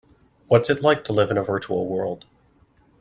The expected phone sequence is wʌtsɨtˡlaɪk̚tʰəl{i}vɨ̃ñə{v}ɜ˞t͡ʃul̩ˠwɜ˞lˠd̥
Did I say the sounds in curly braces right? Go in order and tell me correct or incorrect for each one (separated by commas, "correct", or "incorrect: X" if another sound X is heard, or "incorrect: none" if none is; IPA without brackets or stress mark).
incorrect: ɪ, correct